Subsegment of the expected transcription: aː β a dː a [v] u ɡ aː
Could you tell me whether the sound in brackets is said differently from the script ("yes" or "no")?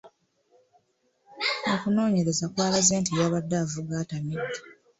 no